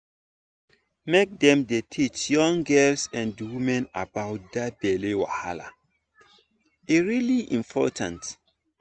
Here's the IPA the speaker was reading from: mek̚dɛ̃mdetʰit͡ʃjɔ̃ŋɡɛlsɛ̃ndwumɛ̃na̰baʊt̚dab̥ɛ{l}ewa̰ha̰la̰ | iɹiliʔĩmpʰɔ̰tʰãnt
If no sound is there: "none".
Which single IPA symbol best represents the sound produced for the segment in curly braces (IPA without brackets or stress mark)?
l